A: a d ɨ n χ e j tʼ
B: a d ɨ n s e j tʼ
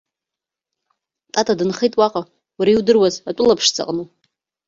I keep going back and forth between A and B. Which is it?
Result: A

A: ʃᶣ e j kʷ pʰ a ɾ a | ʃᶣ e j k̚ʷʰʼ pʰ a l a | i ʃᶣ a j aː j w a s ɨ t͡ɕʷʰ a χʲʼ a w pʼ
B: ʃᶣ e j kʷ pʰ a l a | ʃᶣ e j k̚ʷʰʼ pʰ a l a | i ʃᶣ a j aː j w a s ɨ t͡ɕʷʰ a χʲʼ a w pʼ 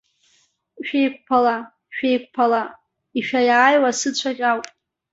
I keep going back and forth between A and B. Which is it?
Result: B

